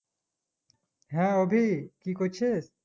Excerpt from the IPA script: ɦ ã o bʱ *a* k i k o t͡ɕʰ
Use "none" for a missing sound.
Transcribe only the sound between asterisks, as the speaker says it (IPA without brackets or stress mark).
i